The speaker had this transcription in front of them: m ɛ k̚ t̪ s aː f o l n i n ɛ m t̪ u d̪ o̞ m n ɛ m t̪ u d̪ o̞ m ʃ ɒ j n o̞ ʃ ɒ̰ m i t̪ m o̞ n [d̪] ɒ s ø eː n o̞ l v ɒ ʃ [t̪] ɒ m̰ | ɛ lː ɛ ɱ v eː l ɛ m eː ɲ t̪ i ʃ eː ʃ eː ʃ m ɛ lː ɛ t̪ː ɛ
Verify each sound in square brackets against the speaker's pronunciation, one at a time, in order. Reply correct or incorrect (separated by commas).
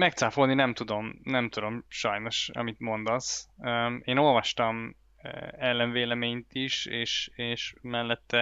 correct, correct